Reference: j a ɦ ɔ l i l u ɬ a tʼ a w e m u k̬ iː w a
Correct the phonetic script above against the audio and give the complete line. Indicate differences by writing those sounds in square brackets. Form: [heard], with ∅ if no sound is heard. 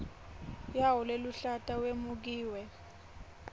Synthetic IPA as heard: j a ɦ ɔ l [e] l u ɬ a tʼ a w e m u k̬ iː w [ɛ]